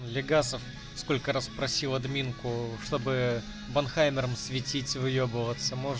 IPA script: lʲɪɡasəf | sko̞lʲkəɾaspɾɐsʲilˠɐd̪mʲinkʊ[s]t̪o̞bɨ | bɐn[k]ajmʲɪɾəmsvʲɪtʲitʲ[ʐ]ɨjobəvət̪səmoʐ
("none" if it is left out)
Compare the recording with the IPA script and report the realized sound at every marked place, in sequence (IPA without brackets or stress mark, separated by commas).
ʂ, x, v